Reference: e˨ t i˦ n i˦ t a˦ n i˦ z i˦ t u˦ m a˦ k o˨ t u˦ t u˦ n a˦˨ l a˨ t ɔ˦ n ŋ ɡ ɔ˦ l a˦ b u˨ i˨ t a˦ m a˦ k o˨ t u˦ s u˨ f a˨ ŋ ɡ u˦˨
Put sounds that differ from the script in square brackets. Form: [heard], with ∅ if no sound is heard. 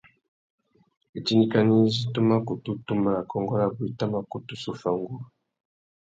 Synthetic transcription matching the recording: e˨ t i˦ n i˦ [k] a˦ n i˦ z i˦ t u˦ m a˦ k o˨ t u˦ t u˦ [m] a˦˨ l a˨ [k] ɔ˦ [∅] ŋ ɡ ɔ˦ l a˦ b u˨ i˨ t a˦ m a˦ k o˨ t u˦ s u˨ f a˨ ŋ ɡ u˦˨